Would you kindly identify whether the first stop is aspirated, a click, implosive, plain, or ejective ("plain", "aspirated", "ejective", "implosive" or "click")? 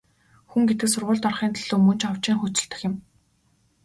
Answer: plain